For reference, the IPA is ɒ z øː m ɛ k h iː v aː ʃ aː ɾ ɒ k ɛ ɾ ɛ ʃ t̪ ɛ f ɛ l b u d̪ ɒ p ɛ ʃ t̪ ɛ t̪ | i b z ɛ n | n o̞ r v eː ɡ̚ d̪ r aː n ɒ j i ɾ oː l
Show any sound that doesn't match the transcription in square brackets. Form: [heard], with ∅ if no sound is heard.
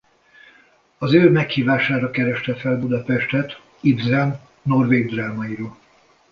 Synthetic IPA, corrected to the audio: ɒ z øː m ɛ k h iː v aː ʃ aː ɾ ɒ k ɛ ɾ ɛ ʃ t̪ ɛ f ɛ l b u d̪ ɒ p ɛ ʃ t̪ ɛ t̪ | i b z ɛ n | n o̞ r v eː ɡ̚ d̪ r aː [m] ɒ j i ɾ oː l